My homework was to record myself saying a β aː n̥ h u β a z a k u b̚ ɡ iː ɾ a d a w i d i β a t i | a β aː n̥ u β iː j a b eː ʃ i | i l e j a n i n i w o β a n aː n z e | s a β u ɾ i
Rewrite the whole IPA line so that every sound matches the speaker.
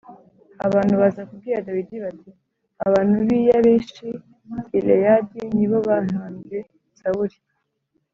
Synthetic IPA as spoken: a β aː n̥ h u β a z a k u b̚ ɡ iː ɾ a d a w i d i β a t i | a β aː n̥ u β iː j a β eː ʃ i | i l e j a d i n i β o β a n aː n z e | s a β u ɾ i